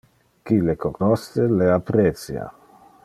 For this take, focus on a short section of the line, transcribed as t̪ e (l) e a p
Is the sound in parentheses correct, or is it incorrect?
correct